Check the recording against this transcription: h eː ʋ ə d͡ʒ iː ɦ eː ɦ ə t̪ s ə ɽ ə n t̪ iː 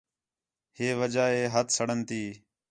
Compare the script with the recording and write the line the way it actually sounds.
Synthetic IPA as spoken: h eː ʋ ə d͡ʒ aː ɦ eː ɦ ə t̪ s ə ɽ ə n t̪ iː